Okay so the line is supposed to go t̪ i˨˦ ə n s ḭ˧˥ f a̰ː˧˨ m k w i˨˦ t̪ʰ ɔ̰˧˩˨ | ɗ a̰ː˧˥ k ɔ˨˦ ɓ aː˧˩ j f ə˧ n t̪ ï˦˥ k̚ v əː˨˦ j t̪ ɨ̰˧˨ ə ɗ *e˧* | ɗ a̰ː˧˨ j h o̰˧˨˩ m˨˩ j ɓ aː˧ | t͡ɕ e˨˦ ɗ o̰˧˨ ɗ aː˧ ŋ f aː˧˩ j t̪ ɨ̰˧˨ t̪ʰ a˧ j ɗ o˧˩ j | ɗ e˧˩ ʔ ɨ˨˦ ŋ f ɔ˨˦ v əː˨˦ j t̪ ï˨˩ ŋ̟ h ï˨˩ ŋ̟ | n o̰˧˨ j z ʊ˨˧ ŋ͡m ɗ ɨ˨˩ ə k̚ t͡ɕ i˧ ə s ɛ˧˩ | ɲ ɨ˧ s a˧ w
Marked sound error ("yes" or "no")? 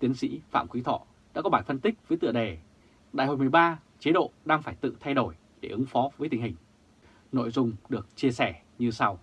yes